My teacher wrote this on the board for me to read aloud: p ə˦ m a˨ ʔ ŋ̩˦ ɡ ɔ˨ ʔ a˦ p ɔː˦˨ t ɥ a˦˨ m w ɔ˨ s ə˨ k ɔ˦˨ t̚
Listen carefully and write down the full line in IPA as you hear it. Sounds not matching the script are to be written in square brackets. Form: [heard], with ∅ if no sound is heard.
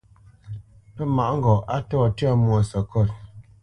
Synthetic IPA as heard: p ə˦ m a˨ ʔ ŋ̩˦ ɡ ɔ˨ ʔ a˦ [t] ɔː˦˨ t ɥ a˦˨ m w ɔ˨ s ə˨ k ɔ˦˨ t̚

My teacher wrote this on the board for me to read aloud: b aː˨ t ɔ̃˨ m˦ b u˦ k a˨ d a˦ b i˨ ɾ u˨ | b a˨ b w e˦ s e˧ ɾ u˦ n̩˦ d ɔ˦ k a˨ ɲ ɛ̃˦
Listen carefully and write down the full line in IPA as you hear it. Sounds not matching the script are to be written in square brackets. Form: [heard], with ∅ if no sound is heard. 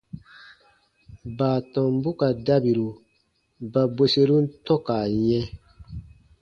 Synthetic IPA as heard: b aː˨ t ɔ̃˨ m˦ b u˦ k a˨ d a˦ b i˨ ɾ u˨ | b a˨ b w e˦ s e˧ ɾ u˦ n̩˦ [t] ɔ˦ k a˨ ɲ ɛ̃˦

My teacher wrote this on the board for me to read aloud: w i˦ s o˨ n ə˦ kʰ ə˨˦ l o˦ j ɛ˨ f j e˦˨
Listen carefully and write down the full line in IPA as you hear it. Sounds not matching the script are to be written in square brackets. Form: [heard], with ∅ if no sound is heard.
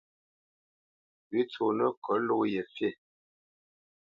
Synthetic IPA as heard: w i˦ [t͡s] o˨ n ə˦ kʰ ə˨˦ l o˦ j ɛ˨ f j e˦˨

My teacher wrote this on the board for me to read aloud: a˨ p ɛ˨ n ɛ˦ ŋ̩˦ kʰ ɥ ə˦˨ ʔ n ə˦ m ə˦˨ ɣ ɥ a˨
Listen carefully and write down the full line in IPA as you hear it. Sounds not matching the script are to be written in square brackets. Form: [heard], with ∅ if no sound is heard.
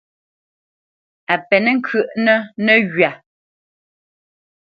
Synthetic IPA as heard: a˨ p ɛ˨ n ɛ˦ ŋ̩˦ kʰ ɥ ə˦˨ ʔ n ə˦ [n] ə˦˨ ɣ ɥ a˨

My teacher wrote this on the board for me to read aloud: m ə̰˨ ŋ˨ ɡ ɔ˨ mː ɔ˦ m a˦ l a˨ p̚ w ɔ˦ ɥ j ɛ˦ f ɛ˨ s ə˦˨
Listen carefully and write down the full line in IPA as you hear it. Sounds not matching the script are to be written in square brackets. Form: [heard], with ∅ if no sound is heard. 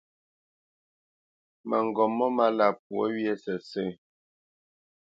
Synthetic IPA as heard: m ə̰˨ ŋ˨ ɡ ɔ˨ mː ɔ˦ m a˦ l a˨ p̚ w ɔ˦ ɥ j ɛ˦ [s] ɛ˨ s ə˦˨

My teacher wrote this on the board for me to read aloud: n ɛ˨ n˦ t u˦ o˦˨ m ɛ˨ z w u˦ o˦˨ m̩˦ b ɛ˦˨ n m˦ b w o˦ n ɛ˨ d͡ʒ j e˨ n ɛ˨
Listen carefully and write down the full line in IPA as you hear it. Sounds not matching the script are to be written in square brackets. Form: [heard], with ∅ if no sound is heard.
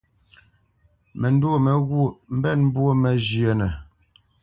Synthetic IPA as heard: [m] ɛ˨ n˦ [d] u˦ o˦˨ m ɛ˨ [ɣ] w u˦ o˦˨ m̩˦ b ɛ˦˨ n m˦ b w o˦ [m] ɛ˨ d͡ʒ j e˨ n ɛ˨

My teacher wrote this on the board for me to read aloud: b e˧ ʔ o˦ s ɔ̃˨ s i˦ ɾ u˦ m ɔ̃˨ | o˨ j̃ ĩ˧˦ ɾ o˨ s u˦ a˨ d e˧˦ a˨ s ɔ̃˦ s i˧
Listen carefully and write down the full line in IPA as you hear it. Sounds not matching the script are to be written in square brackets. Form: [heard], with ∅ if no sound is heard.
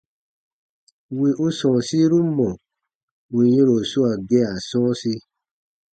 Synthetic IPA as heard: [w] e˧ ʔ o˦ s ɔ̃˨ s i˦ ɾ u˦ m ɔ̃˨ | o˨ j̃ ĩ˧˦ ɾ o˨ s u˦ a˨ [ɡ] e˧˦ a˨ s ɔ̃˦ s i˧

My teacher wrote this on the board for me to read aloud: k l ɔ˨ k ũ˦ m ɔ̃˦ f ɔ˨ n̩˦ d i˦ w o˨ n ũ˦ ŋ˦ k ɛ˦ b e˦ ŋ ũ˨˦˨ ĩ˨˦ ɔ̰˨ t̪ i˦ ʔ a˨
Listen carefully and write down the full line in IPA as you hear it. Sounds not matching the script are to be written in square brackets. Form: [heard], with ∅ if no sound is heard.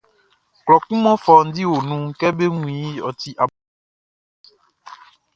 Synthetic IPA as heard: k l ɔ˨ k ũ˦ m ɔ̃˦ f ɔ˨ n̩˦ d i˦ w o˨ n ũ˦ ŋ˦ k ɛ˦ b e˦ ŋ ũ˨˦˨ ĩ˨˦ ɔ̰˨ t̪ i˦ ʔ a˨

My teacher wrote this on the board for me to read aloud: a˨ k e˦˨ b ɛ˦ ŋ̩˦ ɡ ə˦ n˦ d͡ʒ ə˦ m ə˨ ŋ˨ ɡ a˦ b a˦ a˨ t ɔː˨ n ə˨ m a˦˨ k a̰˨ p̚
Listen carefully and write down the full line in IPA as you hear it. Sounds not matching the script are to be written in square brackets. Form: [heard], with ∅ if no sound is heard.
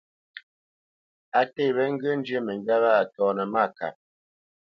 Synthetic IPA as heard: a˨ [t] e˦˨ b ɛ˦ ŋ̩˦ ɡ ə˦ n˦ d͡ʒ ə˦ m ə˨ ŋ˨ ɡ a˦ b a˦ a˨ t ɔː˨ n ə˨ m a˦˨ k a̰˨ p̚

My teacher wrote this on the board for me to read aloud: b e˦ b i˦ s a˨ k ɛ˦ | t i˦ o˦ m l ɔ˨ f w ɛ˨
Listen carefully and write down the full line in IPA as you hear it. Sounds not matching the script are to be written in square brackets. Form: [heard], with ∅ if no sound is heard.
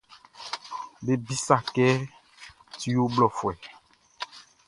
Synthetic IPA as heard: b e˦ b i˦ s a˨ k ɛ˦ | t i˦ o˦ [b] l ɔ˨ f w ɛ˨

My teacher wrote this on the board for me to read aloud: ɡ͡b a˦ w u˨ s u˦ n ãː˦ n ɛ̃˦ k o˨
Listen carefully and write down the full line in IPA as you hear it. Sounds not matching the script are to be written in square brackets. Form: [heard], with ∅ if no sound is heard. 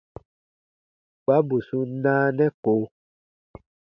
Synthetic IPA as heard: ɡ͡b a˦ [b] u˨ s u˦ n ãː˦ n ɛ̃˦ k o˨

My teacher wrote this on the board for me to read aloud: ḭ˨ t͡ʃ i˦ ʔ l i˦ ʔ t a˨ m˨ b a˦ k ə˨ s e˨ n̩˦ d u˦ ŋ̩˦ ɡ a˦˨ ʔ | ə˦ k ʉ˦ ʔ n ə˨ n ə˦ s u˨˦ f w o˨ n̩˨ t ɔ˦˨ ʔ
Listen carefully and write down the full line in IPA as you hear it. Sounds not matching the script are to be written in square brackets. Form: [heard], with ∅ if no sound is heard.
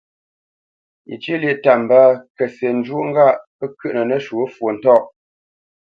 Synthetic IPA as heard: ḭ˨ t͡ʃ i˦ [∅] l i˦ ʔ t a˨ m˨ b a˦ k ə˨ s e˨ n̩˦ [d͡ʒ] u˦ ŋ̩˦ ɡ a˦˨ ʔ | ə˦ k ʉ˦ ʔ n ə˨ n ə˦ [ʃ] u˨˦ f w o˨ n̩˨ t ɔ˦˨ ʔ

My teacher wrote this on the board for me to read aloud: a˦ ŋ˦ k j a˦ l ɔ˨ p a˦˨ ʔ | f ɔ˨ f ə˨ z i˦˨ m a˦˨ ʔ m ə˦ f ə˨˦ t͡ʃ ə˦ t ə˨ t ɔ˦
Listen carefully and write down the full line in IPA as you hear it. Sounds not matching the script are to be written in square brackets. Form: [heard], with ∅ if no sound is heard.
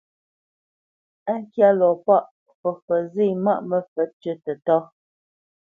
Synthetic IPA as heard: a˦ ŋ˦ k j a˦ l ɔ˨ p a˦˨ ʔ | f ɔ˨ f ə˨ z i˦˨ m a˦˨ ʔ m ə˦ f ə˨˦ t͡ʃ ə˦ t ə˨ t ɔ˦

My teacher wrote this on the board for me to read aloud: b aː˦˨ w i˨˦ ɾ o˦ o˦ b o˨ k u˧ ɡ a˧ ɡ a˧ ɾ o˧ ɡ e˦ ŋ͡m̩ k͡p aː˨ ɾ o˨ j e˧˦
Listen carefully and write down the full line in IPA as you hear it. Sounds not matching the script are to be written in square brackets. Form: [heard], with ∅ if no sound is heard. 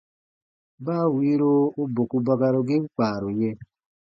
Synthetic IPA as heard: b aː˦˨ w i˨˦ ɾ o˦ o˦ b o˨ k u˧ [b] a˧ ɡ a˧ ɾ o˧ ɡ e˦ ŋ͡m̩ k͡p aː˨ ɾ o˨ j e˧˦

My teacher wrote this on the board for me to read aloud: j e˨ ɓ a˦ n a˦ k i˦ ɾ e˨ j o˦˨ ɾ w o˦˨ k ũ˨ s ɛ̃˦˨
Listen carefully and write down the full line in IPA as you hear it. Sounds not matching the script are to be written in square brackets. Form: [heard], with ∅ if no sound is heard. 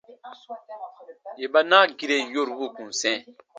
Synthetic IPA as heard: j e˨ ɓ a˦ n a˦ [ɡ] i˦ ɾ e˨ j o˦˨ ɾ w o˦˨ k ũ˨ s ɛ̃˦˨

